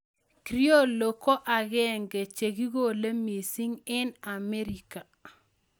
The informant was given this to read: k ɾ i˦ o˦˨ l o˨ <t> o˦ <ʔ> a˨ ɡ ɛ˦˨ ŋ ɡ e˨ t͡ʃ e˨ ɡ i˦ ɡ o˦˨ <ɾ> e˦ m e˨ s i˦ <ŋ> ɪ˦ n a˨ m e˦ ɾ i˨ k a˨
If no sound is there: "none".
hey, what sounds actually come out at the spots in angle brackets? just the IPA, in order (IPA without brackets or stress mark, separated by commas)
k, ʔ, l, ŋ